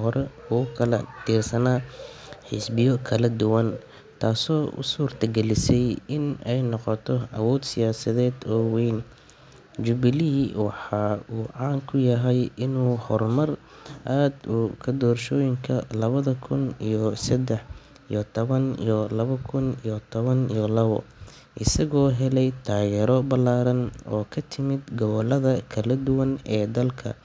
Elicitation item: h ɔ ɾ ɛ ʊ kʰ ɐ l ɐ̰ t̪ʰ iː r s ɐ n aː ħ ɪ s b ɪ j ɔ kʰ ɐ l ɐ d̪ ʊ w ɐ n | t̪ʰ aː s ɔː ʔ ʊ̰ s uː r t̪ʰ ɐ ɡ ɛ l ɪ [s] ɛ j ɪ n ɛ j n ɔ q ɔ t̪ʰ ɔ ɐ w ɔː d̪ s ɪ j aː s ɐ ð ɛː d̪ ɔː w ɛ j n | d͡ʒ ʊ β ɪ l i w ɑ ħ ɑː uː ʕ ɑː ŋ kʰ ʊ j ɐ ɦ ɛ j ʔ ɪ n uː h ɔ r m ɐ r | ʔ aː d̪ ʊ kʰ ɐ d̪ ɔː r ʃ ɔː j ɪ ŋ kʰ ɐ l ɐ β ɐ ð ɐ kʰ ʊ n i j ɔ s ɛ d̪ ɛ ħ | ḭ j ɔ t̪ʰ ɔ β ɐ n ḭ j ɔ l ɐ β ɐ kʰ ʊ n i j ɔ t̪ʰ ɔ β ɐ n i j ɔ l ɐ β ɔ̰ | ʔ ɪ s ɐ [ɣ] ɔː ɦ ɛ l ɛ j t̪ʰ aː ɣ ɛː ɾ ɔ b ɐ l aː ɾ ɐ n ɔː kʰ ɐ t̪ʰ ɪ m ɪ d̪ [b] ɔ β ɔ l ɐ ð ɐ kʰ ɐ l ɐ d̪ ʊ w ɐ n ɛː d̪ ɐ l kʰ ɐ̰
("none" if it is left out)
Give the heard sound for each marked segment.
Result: s, ɣ, ɡ

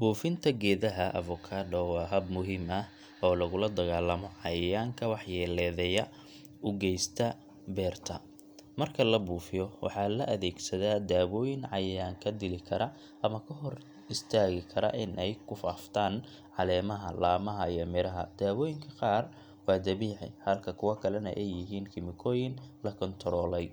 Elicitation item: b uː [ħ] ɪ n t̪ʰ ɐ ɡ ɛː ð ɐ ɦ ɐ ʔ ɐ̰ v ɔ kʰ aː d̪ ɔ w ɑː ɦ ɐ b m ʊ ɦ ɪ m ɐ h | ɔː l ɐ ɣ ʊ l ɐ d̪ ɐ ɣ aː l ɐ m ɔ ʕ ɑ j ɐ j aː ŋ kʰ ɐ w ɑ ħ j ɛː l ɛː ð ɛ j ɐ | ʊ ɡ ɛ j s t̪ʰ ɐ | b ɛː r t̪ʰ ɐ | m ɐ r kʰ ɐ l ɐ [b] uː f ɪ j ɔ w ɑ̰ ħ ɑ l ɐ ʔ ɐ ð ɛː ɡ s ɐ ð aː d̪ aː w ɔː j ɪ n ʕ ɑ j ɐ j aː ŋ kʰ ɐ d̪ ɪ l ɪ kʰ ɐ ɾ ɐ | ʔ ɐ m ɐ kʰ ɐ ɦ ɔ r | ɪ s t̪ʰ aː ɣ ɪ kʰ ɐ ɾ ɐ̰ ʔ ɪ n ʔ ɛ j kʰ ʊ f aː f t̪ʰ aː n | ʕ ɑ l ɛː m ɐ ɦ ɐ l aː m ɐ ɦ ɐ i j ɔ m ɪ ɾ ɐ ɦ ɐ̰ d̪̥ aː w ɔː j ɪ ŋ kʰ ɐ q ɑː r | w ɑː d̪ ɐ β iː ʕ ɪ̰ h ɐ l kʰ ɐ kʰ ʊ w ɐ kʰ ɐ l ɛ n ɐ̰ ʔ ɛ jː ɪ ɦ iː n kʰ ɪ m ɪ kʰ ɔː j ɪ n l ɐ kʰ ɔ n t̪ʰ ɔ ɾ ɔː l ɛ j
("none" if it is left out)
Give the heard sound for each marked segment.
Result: f, b

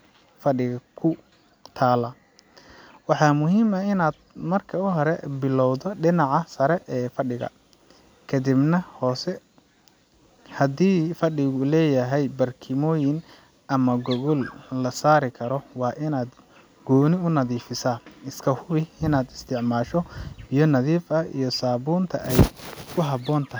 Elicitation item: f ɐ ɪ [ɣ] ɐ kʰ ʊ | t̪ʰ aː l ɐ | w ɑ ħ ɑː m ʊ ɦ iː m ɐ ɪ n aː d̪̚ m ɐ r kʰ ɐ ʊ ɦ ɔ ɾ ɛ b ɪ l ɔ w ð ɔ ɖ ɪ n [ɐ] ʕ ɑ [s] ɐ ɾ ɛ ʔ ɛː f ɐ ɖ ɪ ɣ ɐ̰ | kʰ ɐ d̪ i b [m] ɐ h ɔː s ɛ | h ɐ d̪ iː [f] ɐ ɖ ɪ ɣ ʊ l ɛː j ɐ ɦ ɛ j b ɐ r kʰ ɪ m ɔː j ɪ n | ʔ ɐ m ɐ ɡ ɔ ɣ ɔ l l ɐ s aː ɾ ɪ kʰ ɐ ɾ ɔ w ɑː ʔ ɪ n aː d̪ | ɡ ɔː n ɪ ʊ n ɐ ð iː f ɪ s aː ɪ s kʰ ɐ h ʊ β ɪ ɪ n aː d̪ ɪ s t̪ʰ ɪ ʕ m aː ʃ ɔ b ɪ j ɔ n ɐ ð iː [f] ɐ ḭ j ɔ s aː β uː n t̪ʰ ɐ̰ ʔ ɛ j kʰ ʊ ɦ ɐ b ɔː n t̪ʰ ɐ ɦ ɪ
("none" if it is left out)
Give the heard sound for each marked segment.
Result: ɣ, ɑ, s, n, f, f

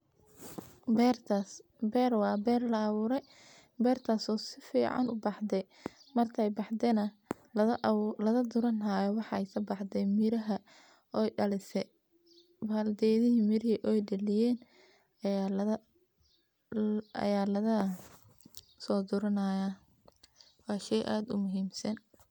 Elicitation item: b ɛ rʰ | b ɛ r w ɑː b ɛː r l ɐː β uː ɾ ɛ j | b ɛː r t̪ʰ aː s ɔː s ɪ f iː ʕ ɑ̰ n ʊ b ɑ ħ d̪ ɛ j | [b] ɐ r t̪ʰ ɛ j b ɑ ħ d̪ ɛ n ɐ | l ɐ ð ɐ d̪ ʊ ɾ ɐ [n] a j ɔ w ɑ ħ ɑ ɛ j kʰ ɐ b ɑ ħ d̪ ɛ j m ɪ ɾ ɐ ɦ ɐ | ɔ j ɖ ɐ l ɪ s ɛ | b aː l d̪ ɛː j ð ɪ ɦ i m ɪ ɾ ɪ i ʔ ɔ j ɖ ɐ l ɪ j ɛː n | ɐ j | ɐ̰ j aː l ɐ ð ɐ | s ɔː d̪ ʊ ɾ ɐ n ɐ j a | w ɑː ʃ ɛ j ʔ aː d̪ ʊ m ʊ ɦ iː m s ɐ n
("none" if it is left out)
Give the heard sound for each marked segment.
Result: m, n

